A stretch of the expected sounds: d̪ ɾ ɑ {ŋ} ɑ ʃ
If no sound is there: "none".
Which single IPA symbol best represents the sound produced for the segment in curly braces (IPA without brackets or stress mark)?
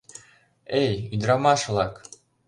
m